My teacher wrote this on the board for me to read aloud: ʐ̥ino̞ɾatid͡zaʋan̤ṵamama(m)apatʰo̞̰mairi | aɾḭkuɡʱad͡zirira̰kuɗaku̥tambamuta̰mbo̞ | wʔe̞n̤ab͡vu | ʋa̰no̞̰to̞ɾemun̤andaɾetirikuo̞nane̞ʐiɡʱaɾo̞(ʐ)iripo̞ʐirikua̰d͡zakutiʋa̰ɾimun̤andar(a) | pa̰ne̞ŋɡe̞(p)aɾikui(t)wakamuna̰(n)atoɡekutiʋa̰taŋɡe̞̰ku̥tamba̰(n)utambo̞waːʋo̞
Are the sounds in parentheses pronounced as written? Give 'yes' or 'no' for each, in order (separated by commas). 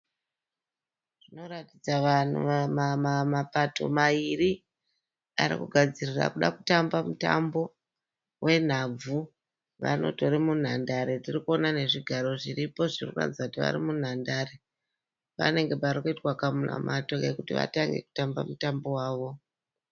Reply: yes, yes, no, yes, yes, no, no